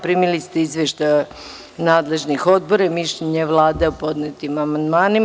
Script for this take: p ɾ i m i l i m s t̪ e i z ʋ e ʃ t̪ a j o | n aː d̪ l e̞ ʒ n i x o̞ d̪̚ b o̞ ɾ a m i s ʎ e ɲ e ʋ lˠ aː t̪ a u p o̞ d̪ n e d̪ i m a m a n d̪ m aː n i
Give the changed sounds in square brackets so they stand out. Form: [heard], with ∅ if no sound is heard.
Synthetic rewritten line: p ɾ i m i l i [∅] s t̪ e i z ʋ e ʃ t̪ a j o | n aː d̪ l e̞ ʒ n i x o̞ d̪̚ b o̞ ɾ a m i [ʃ] ʎ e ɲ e ʋ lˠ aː [d̪] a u p o̞ d̪ n e [t̪] i m a m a n d̪ m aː n i